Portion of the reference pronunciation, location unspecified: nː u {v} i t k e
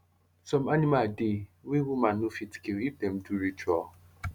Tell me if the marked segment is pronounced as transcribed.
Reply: no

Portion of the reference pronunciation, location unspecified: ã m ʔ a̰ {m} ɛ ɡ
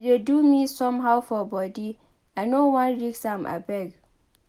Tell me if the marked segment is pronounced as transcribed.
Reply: no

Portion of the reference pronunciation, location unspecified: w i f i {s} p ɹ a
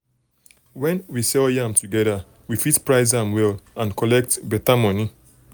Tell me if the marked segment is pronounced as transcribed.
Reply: no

